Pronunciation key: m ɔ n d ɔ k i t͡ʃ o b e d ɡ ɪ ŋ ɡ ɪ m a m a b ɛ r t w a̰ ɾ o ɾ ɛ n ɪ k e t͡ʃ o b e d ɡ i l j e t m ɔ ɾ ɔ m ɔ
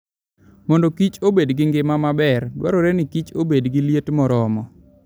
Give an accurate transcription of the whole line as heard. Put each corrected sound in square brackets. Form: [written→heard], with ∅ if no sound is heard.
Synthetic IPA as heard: m ɔ n d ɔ k i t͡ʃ o b e d ɡ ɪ ŋ ɡ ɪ m a m a b ɛ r [t→d] w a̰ ɾ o ɾ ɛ n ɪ k [e→i] t͡ʃ o b e d ɡ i l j e t m ɔ ɾ ɔ m ɔ